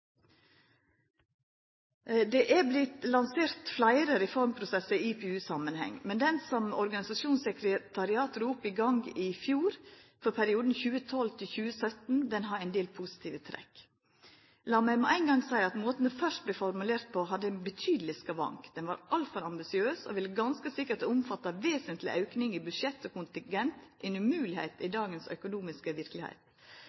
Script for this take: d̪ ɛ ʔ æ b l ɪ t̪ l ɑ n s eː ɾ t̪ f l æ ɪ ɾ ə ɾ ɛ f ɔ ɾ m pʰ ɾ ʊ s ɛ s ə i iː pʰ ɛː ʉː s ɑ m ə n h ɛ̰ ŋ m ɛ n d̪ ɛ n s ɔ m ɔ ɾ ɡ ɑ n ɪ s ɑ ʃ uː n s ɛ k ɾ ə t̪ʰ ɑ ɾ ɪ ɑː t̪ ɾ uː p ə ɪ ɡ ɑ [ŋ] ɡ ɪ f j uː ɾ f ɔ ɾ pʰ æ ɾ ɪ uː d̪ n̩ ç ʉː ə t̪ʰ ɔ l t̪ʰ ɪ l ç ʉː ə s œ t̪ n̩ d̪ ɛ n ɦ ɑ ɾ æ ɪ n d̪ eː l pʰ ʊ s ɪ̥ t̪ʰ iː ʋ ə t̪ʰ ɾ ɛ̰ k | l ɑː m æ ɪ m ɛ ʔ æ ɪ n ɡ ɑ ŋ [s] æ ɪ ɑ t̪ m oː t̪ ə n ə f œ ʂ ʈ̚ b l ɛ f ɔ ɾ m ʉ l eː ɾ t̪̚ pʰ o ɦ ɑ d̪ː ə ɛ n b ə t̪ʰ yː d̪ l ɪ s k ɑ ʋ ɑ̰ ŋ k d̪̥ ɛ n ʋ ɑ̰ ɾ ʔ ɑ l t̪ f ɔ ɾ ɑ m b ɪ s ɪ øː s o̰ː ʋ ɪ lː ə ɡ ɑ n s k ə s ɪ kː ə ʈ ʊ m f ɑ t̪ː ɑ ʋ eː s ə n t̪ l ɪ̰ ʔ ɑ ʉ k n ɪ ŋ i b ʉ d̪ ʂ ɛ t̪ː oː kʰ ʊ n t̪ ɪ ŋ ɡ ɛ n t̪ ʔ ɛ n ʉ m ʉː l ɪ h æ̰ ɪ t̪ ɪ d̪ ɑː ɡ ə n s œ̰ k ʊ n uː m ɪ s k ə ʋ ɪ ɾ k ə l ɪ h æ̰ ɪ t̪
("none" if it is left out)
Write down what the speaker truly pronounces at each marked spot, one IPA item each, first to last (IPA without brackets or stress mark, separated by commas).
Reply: ŋ, s